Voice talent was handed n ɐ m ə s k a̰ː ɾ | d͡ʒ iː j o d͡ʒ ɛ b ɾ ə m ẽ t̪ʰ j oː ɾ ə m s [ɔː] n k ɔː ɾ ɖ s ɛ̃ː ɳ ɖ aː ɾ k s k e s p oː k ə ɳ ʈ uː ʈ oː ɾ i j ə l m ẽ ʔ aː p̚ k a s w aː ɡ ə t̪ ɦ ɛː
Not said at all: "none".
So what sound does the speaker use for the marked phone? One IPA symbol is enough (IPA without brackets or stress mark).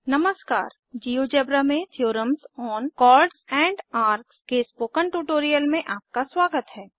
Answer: ɔː